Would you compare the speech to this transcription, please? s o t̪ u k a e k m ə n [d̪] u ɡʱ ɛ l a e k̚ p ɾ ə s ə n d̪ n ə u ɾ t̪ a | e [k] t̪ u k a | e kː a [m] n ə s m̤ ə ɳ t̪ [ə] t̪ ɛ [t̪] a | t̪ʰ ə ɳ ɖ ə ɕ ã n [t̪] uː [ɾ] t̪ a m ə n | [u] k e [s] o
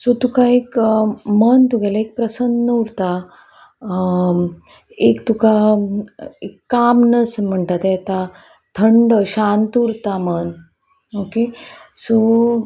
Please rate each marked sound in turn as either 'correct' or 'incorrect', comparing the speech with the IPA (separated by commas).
incorrect, correct, correct, incorrect, correct, correct, correct, incorrect, correct